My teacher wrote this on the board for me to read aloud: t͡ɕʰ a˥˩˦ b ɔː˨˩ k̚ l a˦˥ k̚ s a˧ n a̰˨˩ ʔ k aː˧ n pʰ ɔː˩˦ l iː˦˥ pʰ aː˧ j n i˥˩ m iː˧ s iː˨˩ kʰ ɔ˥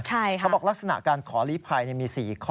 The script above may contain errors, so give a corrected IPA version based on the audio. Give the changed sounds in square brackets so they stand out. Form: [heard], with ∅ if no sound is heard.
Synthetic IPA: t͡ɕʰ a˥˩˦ b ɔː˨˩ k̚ l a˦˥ k̚ s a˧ n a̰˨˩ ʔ k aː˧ n [kʰ] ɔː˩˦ l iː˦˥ pʰ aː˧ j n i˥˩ m iː˧ s iː˨˩ kʰ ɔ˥